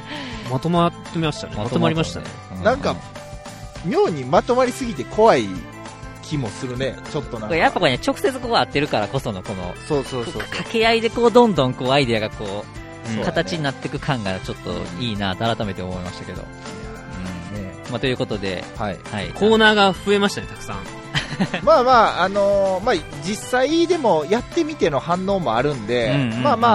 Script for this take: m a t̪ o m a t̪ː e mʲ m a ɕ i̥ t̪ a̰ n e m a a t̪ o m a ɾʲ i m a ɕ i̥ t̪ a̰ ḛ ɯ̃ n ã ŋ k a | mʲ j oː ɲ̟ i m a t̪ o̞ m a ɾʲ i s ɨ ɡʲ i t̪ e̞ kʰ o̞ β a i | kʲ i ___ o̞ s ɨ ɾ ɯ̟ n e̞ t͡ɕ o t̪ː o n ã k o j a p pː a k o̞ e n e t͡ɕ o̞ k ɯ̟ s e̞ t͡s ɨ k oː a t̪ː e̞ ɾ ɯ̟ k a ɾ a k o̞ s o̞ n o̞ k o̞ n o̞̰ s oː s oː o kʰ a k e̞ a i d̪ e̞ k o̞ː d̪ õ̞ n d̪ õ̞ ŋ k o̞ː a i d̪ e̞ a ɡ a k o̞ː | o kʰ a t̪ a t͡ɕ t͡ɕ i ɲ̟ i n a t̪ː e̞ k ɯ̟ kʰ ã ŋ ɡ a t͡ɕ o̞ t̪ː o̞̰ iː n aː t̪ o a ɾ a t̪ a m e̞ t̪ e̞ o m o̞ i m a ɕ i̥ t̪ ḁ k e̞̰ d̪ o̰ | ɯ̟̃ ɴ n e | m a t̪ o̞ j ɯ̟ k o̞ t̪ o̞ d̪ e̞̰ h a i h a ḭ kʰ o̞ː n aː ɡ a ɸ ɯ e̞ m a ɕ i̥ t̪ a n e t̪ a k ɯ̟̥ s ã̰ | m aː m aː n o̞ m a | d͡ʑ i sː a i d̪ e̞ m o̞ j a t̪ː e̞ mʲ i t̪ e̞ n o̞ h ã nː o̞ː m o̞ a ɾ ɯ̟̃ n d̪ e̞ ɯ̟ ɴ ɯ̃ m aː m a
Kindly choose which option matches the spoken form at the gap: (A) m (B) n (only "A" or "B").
A